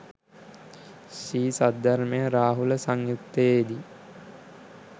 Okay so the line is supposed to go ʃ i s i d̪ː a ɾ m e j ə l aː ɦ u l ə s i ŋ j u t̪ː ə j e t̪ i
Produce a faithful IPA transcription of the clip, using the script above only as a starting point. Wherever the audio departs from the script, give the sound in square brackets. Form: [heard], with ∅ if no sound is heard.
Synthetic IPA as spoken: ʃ [iː] s [a] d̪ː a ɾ m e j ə [ɾ] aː ɦ u l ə s [a] ŋ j u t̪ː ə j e [d̪] i

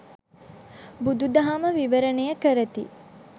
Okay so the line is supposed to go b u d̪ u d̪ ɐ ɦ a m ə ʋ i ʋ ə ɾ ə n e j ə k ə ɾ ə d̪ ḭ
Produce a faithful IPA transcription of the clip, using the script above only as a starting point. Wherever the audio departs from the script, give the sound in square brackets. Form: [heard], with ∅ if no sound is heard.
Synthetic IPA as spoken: b u d̪ u d̪ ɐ ɦ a m ə ʋ i ʋ ə ɾ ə n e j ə k ə ɾ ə [t̪] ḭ

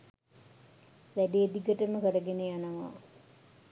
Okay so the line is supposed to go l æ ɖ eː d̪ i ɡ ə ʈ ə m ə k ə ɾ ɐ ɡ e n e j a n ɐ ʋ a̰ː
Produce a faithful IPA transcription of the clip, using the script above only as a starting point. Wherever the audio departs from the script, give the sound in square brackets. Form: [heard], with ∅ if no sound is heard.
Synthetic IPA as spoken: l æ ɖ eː d̪ i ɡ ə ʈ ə m ə k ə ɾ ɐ ɡ e n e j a n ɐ ʋ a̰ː

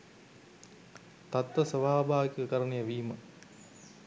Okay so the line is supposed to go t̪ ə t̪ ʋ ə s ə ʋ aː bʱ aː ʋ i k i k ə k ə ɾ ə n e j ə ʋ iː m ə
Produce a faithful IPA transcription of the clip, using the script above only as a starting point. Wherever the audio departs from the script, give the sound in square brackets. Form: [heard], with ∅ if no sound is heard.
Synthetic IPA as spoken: t̪ [a] t̪ ʋ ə s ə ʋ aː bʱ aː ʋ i k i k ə k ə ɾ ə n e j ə ʋ iː m ə

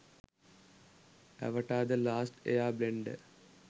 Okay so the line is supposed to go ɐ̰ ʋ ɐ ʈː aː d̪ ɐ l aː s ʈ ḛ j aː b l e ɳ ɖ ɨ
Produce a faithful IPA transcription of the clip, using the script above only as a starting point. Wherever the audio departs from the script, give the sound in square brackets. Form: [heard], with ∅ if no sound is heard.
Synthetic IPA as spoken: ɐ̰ ʋ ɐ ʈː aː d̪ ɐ l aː s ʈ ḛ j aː b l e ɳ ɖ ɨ

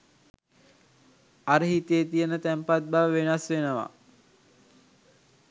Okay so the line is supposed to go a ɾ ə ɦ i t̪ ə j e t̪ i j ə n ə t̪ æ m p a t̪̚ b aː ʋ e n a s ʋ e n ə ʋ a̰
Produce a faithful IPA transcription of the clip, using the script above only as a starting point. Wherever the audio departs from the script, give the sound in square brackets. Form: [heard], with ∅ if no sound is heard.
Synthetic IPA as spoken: a ɾ ə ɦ i t̪ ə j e t̪ i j ə n ə t̪ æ m p a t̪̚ b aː ʋ e n a s ʋ e n ə ʋ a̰

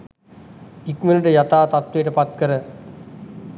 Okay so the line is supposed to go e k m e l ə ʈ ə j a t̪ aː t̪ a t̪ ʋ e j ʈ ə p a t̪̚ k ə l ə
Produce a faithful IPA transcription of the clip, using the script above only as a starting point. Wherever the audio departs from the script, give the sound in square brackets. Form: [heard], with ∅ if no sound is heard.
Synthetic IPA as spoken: [i] k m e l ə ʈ ə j a t̪ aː t̪ a t̪ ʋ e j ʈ ə p a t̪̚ k ə [ɾ] ə

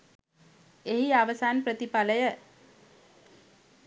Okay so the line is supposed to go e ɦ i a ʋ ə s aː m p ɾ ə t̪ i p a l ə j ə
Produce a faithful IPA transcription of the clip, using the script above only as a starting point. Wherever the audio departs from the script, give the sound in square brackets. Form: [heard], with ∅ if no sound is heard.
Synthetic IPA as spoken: e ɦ i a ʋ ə s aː [n] p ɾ ə t̪ i p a l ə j ə

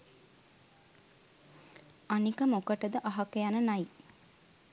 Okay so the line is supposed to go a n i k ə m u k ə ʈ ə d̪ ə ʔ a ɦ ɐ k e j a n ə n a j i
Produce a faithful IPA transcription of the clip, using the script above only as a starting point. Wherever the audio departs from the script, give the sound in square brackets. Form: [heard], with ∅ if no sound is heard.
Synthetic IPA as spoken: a n i k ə m [o] k ə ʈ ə d̪ ə ʔ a ɦ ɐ k e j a n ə n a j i

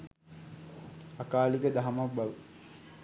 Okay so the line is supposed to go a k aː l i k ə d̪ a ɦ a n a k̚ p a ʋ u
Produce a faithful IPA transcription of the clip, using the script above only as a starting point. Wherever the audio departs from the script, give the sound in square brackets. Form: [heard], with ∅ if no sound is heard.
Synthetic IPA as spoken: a k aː l i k ə d̪ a ɦ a [m] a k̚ [b] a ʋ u

